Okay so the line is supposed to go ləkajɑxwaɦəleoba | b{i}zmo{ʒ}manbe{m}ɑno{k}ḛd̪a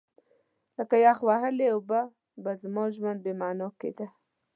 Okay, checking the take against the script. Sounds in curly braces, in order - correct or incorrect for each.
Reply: incorrect, correct, correct, correct

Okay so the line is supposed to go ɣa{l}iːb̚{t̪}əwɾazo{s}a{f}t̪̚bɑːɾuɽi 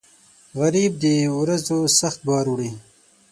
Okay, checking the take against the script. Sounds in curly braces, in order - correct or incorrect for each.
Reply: incorrect, incorrect, correct, incorrect

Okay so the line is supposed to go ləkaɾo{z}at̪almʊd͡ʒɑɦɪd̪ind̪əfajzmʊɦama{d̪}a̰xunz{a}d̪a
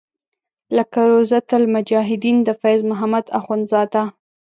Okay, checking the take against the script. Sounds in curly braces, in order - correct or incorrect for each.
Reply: correct, correct, incorrect

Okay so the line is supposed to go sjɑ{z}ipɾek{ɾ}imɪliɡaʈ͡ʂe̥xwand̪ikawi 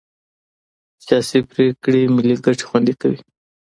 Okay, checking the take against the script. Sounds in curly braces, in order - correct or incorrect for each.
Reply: incorrect, incorrect

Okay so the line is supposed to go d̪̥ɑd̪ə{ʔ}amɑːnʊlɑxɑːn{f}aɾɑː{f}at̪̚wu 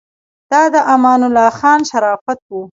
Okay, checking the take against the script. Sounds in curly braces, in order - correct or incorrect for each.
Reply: correct, incorrect, correct

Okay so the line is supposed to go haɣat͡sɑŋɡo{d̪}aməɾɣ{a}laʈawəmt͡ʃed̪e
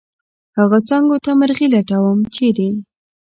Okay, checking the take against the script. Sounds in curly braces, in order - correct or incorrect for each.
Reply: incorrect, incorrect

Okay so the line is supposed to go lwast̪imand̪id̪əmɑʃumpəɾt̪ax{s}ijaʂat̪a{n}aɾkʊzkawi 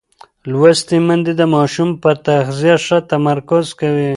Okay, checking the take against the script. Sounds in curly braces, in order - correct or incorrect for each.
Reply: incorrect, incorrect

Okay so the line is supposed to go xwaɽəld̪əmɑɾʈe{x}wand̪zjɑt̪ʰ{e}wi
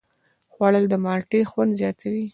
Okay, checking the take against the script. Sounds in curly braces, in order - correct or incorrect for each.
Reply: correct, incorrect

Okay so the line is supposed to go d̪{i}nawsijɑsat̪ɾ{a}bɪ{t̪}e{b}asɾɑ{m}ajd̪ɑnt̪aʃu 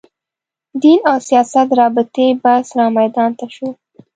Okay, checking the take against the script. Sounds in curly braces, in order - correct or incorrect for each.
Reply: correct, incorrect, correct, correct, correct

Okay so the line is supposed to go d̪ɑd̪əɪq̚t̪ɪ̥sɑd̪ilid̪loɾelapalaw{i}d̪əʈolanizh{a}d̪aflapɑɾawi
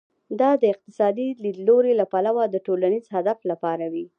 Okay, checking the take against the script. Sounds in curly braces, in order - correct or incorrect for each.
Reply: incorrect, correct

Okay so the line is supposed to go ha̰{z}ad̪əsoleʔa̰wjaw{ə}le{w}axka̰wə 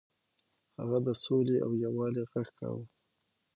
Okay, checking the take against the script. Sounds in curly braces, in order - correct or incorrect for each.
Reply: incorrect, incorrect, incorrect

